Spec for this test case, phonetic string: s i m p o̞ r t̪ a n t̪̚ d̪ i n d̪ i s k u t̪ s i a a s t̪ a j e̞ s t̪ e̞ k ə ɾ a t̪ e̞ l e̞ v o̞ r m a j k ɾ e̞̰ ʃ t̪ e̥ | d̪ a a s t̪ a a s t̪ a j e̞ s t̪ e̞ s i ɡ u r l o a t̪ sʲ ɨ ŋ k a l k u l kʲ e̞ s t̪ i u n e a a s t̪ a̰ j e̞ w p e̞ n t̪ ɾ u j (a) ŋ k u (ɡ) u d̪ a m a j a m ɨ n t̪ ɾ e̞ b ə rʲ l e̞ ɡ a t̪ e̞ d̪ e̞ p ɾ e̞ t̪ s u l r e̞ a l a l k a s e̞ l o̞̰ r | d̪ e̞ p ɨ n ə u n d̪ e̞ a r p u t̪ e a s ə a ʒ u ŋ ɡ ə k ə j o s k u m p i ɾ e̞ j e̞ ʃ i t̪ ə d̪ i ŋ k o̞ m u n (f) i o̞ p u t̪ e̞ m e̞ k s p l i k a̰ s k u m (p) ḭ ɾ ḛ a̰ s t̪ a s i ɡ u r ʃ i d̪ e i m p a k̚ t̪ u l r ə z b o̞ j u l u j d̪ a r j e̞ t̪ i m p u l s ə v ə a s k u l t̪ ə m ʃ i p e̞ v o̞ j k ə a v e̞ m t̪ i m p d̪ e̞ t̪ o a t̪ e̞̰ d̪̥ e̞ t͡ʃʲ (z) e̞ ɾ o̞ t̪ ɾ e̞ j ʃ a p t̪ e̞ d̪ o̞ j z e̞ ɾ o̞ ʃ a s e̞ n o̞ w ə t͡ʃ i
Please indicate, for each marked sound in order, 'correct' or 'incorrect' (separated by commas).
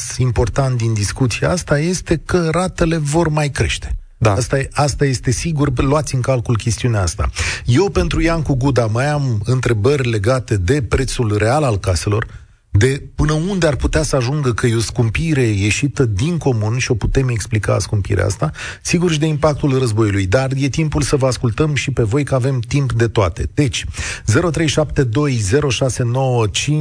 correct, correct, incorrect, correct, correct